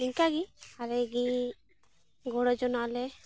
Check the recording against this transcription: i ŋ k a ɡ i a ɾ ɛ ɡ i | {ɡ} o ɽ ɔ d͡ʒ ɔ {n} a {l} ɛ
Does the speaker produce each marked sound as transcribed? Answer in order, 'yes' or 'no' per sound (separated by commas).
yes, yes, yes